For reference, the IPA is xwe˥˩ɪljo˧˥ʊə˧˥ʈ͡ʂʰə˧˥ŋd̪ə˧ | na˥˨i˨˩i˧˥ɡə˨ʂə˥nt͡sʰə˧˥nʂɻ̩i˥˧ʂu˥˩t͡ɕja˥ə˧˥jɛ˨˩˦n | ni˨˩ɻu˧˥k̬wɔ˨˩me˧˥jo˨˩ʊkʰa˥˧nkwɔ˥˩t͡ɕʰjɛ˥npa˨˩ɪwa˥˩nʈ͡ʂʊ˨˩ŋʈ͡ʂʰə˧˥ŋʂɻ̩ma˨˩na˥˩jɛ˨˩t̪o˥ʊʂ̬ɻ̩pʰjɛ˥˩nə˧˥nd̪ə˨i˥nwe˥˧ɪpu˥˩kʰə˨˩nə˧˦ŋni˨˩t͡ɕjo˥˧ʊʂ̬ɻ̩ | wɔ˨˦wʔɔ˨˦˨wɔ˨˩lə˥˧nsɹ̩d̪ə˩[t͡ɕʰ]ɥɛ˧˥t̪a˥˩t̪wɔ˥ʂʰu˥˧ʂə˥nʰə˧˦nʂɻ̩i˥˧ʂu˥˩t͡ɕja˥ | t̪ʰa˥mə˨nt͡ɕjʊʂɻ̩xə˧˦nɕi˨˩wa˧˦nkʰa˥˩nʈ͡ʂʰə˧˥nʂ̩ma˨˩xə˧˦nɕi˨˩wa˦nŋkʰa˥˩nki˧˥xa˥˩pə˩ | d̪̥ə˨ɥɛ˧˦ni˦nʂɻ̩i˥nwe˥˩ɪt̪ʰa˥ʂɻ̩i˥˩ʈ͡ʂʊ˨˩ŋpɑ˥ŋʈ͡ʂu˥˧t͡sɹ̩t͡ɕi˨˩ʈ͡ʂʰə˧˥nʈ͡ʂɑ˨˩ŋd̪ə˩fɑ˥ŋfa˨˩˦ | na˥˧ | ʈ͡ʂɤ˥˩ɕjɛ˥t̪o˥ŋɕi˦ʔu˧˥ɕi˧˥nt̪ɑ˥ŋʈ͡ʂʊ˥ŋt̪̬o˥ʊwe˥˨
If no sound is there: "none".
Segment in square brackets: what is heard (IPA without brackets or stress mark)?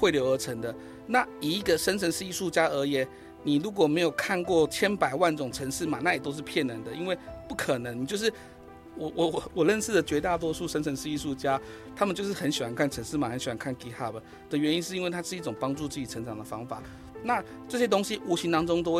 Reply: t͡ɕ